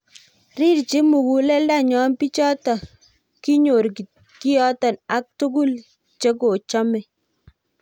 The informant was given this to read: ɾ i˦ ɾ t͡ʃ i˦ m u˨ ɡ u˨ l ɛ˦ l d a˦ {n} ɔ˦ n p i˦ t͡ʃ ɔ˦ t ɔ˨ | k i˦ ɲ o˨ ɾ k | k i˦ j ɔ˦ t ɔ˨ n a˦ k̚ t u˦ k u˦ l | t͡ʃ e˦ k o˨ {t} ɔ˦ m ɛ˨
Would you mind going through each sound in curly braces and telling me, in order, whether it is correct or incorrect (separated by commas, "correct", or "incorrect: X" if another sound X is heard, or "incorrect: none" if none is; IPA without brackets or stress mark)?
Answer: incorrect: ɲ, incorrect: t͡ʃ